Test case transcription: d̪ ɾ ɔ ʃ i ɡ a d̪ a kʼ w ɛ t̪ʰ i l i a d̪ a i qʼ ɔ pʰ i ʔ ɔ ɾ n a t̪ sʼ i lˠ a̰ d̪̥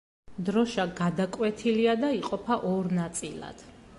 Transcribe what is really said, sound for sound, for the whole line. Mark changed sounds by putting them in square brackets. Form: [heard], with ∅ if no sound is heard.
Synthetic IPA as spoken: d̪ ɾ ɔ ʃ [a] ɡ a d̪ a kʼ w ɛ t̪ʰ i l i a d̪ a i qʼ ɔ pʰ [a] ʔ ɔ ɾ n a t̪ sʼ i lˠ a̰ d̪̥